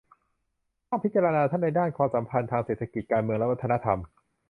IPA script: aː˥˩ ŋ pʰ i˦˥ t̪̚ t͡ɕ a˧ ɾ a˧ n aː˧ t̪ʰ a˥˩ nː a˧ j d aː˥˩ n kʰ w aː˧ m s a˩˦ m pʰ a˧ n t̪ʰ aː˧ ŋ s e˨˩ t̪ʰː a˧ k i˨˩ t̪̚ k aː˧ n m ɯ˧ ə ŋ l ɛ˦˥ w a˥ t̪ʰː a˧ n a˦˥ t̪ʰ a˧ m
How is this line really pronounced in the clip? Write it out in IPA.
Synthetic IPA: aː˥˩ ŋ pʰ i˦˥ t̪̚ t͡ɕ a˧ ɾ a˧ n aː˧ t̪ʰ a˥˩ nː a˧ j d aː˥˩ n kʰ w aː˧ m s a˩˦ m pʰ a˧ n t̪ʰ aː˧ ŋ s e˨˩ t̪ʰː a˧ k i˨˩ t̪̚ k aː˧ n m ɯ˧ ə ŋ l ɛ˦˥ w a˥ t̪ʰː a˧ n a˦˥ t̪ʰ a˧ m